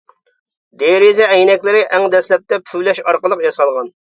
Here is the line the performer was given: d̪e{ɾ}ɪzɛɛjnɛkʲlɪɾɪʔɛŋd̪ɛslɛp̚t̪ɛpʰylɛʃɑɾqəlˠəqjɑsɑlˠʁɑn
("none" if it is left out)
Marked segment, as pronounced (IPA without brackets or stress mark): ɾ